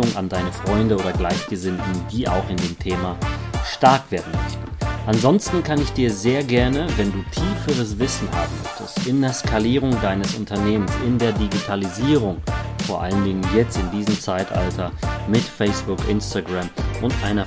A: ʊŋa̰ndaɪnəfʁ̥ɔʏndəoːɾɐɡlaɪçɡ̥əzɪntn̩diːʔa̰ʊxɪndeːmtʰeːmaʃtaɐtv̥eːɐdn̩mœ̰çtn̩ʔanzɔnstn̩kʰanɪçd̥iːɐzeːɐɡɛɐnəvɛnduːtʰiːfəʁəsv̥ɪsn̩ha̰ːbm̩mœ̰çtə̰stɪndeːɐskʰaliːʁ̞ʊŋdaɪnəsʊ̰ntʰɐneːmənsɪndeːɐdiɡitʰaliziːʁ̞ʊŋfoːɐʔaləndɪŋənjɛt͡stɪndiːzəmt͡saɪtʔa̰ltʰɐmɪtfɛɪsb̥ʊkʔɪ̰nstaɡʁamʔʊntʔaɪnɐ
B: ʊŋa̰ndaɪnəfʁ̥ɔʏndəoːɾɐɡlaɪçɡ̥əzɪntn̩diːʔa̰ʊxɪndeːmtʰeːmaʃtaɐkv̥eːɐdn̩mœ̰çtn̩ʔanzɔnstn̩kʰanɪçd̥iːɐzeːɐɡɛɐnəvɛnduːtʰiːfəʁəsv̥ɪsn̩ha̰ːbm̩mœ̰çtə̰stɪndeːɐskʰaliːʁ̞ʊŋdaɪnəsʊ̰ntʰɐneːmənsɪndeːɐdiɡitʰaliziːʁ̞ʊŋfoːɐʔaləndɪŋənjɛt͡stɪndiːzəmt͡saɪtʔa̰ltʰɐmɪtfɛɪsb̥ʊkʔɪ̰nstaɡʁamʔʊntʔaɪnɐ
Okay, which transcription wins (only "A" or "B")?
B